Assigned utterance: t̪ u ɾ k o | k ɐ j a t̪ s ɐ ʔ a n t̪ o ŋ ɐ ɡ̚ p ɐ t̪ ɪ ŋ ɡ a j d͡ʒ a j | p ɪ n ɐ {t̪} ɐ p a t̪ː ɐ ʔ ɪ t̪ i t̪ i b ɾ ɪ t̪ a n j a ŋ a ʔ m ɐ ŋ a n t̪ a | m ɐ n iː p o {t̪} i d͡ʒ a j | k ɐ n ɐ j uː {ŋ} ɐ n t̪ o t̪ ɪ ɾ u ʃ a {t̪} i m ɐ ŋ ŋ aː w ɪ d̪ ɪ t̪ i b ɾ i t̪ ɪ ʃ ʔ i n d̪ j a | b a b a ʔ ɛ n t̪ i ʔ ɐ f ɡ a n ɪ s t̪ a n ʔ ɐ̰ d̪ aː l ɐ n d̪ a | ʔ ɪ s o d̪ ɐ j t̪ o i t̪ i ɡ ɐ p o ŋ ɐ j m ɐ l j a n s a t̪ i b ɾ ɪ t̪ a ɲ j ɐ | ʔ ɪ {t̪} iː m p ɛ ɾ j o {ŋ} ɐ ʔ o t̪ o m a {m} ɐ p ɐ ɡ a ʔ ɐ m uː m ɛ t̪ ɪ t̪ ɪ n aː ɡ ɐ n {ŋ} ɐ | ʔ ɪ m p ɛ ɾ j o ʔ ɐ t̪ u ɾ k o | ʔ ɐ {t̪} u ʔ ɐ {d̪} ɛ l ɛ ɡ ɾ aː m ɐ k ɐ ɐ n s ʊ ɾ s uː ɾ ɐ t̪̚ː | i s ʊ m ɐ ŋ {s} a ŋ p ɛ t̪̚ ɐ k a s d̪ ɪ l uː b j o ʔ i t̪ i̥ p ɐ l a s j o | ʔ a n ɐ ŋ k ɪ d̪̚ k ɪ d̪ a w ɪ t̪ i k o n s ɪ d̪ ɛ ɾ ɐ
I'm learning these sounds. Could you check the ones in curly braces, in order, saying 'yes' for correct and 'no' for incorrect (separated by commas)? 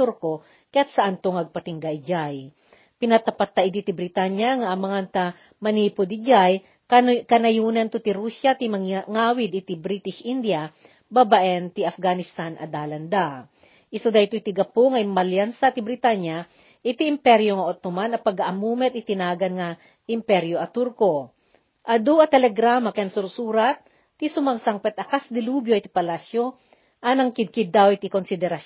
yes, no, no, yes, yes, yes, no, yes, no, no, yes